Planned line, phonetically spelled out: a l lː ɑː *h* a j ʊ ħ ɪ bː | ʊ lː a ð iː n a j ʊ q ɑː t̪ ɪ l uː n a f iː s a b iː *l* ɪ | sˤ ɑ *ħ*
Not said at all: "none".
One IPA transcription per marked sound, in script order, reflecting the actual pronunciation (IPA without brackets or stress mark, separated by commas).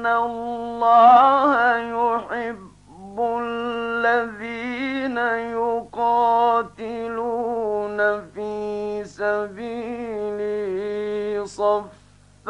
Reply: h, l, f